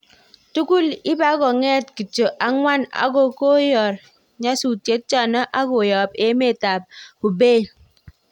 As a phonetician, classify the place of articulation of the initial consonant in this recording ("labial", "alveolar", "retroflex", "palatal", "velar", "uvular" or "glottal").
alveolar